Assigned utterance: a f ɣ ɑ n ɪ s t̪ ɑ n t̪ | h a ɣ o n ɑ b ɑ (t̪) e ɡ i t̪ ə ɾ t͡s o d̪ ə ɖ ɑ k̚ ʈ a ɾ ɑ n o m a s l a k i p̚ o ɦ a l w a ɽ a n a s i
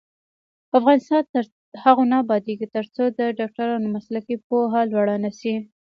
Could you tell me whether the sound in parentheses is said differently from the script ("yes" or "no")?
yes